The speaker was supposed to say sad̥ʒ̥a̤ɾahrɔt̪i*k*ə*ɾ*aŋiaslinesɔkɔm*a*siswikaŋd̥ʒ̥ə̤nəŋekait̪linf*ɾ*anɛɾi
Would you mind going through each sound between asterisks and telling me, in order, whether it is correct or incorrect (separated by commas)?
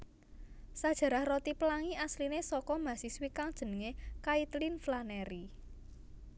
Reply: incorrect, incorrect, correct, incorrect